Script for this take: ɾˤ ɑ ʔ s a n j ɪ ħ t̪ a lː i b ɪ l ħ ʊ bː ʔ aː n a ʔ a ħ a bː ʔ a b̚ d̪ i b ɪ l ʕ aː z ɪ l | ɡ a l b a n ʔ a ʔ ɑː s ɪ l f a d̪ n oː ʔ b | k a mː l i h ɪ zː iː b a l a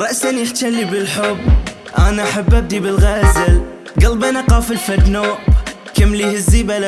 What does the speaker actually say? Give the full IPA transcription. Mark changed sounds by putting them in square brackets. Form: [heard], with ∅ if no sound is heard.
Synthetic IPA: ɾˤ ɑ ʔ s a n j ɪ ħ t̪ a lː i b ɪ l ħ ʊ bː ʔ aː n a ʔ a ħ a bː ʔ a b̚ d̪ i b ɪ l [ɣ] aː z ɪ l | ɡ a l b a n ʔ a [q] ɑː [f] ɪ l f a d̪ n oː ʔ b | k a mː l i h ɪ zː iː b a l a